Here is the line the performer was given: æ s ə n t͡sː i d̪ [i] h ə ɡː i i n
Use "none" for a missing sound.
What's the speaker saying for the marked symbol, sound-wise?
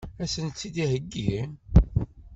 i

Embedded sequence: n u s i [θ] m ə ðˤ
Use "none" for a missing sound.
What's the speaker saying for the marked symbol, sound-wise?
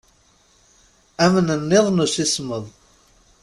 s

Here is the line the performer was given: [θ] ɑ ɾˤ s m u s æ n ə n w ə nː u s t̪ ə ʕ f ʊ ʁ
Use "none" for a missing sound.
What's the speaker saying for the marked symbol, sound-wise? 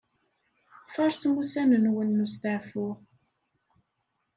f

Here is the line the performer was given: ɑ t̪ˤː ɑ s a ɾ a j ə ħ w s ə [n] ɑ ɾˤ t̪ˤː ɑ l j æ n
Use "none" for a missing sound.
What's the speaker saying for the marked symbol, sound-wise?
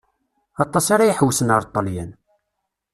n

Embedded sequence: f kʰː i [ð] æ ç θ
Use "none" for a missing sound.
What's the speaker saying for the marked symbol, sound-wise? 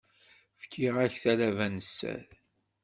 ʁ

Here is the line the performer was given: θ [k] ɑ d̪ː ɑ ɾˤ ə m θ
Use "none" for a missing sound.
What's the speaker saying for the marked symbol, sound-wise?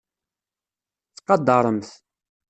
q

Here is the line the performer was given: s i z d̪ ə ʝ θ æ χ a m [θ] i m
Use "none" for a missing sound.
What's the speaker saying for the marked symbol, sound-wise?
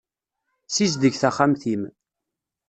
θ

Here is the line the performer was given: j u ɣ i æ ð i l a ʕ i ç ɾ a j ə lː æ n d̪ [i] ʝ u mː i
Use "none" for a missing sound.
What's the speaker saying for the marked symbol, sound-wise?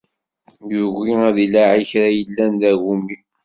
æ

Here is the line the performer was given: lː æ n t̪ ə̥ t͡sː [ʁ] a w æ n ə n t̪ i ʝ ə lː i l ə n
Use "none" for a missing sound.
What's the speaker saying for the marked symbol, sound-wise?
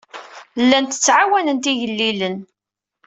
ʕ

